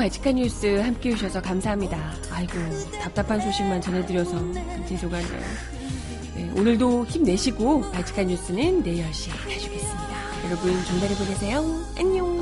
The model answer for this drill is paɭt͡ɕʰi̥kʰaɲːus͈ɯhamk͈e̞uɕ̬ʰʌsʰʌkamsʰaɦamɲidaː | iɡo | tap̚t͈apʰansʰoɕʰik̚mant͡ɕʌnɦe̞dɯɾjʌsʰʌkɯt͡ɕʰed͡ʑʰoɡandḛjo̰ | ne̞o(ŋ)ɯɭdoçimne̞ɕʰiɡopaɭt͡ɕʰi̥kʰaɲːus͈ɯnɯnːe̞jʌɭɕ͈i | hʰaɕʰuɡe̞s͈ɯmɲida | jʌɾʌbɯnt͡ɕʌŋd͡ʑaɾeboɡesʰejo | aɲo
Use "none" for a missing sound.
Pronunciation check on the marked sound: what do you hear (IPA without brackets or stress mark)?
n